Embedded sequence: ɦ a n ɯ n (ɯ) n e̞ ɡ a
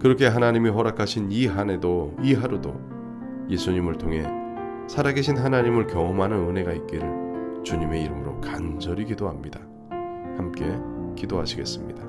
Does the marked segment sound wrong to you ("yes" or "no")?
no